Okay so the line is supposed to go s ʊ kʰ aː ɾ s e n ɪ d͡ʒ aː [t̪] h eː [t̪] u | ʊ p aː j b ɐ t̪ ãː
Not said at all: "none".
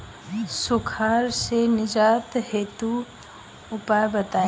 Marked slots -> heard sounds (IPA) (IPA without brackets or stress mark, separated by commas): t̪, t̪